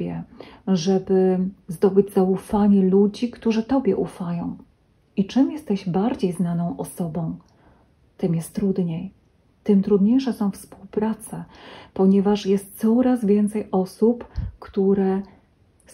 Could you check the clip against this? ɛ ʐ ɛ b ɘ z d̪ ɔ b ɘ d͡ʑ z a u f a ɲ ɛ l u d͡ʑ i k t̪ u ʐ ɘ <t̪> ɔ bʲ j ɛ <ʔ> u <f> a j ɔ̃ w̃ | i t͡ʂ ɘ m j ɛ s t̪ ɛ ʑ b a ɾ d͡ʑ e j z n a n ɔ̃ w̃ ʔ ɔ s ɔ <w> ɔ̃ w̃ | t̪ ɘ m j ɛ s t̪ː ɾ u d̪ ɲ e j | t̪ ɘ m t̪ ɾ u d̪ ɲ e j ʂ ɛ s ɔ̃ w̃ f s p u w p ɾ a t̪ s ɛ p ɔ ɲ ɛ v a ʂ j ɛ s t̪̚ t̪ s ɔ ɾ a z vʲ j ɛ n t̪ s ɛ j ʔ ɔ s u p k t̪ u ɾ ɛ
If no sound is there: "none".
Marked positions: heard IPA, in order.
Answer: t̪, ʔ, f, b

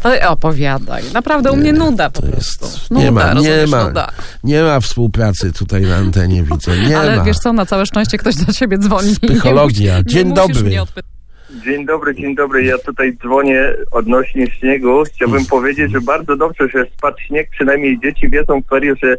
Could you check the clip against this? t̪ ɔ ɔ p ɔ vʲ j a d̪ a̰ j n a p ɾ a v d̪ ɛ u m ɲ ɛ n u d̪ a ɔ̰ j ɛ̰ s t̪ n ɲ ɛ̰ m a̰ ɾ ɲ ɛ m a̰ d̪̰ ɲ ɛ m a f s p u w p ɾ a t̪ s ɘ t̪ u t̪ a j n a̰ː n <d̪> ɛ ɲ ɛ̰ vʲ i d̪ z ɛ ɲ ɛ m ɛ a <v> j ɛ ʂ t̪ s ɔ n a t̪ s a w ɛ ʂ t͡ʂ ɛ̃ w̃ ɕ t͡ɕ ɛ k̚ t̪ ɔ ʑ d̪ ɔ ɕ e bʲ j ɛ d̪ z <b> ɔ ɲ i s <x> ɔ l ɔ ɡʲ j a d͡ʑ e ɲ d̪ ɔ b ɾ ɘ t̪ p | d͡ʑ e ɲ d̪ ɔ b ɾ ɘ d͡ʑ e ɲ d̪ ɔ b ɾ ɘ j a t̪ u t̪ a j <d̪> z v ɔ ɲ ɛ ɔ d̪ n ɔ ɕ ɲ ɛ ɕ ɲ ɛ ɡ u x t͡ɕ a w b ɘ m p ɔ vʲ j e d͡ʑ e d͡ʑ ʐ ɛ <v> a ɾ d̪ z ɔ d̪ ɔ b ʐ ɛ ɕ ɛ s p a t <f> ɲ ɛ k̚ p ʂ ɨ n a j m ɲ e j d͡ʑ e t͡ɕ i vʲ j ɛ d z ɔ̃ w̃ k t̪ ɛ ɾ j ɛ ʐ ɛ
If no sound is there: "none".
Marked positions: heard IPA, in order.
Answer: t̪, v, v, x, d̪, b, ɕ

